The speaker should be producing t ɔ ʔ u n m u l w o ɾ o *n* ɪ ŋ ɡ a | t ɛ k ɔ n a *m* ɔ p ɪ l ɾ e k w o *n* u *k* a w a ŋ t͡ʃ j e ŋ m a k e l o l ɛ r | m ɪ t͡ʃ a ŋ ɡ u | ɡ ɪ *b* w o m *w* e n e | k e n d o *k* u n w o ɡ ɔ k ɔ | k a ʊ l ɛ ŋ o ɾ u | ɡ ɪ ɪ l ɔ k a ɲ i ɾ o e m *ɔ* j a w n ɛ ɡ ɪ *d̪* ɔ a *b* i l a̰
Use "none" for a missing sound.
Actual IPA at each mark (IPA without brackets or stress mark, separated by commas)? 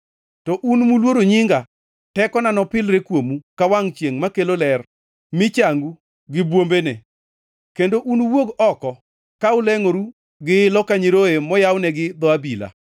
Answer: ɲ, n, m, k, b, b, ʔ, ɔ, d̪, b